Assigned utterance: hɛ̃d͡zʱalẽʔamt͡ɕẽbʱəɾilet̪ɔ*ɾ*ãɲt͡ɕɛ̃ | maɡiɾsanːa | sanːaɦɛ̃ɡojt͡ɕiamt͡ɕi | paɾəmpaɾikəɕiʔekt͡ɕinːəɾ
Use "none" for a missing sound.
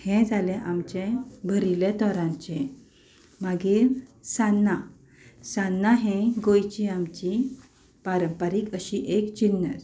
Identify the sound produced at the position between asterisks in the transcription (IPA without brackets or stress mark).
ɾ